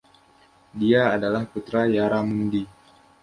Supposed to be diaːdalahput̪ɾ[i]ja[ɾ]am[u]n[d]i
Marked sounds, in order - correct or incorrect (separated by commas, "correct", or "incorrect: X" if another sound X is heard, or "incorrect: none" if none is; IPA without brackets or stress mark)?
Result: incorrect: a, correct, correct, correct